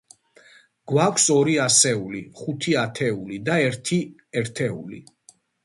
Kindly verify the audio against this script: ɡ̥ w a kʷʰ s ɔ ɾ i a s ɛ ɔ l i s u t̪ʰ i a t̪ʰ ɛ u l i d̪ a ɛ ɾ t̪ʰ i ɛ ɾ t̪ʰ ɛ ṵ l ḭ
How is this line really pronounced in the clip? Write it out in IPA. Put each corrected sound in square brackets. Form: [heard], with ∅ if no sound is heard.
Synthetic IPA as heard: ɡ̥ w a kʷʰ s ɔ ɾ i a s ɛ [u] l i [χ] u t̪ʰ i a t̪ʰ ɛ u l i d̪ a ɛ ɾ t̪ʰ i ɛ ɾ t̪ʰ ɛ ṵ l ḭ